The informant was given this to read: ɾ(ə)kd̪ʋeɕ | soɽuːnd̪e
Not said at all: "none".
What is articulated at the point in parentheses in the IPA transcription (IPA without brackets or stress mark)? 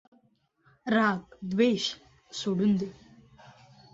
a